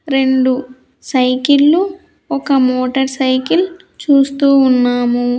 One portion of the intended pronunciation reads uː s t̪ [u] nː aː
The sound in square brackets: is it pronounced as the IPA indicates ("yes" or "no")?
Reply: no